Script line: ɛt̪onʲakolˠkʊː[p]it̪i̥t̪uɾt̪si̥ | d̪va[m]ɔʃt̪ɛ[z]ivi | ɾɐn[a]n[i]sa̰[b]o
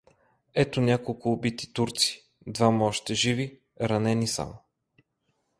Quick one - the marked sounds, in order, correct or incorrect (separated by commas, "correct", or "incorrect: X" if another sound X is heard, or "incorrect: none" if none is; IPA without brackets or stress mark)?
incorrect: b, correct, incorrect: ʒ, incorrect: ɛ, correct, incorrect: m